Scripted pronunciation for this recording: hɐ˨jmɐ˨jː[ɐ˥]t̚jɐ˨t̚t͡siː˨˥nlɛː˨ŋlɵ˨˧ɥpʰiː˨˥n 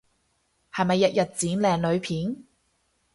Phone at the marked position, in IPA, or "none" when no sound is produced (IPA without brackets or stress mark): ɐ˨